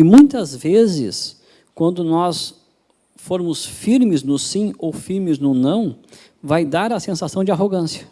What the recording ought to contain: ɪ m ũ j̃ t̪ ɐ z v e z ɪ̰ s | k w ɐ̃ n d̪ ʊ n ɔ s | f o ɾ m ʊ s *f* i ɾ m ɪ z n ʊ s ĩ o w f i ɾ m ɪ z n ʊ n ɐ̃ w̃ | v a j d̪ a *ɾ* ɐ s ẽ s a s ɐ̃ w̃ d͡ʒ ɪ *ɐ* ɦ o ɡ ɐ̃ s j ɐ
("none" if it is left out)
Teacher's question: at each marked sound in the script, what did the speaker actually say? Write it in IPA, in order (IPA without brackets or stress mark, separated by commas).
f, ɾ, a